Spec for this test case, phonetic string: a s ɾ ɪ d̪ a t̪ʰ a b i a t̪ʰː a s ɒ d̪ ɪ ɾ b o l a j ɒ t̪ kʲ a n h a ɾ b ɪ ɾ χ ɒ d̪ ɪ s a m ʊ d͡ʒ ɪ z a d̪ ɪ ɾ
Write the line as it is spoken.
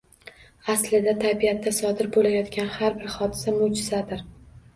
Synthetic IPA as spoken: a s l ɪ d̪ a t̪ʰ a b i a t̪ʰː a s ɒ d̪ ɪ ɾ b o l a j ɒ t̪ kʲ a n h a ɾ b ɪ ɾ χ ɒ d̪ ɪ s a m ʊ d͡ʒ ɪ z a d̪ ɪ ɾ